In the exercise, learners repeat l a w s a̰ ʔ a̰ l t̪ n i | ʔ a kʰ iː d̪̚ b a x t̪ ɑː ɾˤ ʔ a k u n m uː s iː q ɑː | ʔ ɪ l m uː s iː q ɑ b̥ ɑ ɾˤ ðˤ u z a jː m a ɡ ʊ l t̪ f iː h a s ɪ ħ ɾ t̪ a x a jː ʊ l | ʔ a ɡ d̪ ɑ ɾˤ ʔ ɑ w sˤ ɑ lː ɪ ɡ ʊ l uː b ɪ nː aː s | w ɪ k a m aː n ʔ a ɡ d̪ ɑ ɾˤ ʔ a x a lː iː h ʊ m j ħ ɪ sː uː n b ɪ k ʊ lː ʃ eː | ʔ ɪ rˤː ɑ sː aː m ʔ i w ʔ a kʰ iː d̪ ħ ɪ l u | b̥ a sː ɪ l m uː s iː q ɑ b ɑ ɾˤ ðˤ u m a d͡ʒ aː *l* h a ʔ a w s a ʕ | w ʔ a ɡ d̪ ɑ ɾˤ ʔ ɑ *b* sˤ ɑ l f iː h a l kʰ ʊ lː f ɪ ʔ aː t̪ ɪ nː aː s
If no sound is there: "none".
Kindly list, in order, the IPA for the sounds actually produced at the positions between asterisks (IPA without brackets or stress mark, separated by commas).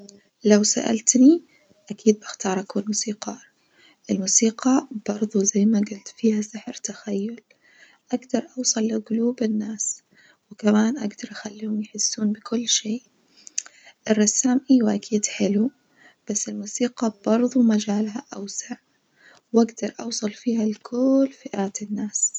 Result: l, w